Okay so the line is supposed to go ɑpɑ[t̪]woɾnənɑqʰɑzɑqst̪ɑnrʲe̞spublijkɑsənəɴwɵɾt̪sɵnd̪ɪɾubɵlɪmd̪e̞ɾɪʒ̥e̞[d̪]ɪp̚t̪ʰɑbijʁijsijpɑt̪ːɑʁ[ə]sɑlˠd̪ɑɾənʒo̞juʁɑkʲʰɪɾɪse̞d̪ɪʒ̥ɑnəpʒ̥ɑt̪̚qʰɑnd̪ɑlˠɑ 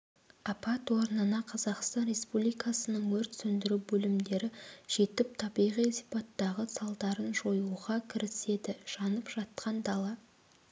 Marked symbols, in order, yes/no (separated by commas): yes, no, yes